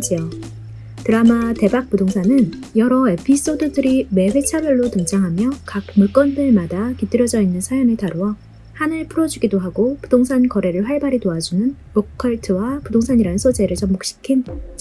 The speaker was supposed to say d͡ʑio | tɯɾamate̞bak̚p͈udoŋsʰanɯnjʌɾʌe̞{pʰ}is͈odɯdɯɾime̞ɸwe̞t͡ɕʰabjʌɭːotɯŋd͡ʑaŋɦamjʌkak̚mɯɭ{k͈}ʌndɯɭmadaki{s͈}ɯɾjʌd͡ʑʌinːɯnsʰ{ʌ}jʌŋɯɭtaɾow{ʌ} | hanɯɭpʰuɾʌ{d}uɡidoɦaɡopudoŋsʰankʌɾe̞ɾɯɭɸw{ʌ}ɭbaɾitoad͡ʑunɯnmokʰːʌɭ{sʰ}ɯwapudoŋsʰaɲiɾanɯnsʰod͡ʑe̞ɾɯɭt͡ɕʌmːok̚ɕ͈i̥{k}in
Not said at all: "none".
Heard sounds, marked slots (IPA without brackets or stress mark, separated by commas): pʰ, k͈, t͈, a, ʌ, d͡ʑ, a, tʰ, kʰ